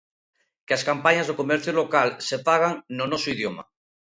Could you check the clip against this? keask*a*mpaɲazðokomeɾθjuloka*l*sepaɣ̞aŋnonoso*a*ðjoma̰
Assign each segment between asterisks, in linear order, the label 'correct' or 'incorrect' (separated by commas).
correct, correct, incorrect